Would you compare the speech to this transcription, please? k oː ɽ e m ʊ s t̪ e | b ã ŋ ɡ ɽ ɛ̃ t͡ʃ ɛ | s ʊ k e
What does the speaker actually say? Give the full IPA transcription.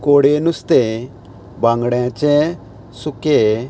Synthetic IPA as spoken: k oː ɽ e n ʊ s t̪ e | b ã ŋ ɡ ɽ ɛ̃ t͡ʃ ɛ | s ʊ k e